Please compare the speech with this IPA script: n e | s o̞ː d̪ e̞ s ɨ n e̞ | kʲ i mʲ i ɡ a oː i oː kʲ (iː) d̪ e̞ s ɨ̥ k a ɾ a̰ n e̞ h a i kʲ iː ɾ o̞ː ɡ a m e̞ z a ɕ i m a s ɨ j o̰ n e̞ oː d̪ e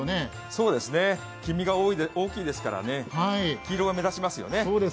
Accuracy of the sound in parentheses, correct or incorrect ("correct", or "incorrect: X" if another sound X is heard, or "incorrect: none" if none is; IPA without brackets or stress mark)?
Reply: correct